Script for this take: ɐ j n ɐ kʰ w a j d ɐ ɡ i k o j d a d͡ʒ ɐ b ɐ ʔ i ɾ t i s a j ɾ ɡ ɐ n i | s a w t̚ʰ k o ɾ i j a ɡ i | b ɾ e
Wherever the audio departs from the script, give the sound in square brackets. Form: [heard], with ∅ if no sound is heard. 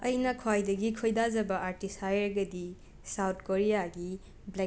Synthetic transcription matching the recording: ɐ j n ɐ kʰ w a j d ɐ ɡ i [kʰ] o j d a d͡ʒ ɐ b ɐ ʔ [a] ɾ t i s a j ɾ ɡ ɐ [d] i | s a w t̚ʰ k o ɾ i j a ɡ i | b [l] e